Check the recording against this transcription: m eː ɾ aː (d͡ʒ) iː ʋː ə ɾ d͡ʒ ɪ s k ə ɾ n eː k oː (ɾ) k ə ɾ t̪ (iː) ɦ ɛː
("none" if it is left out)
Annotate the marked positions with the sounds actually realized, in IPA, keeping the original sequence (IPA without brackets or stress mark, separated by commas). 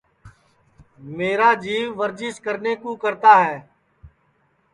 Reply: d͡ʒ, none, aː